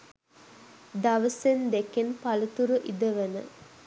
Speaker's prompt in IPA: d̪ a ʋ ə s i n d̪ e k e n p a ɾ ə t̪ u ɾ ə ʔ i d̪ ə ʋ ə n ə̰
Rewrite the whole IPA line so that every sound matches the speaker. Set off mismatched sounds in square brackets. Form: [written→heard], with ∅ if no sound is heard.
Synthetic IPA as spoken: d̪ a ʋ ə s [i→e] n d̪ e k e n p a [ɾ→l] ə t̪ u ɾ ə ʔ i d̪ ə ʋ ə n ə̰